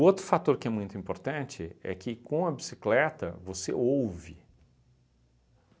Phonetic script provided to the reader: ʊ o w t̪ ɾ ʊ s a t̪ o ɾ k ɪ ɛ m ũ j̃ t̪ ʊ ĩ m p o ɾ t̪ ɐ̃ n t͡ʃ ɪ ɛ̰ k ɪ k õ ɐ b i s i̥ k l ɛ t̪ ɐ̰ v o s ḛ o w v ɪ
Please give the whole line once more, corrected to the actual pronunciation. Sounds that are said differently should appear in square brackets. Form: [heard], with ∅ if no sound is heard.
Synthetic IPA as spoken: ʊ o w t̪ ɾ ʊ [f] a t̪ o ɾ k ɪ ɛ m ũ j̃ t̪ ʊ ĩ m p o ɾ t̪ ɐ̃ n t͡ʃ ɪ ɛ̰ k ɪ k õ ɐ b i s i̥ k l ɛ t̪ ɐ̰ v o s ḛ o w v ɪ